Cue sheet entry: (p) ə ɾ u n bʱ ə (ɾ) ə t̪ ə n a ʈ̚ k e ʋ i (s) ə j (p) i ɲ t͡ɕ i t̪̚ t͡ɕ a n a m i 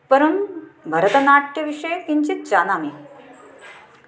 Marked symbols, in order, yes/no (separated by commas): yes, yes, no, no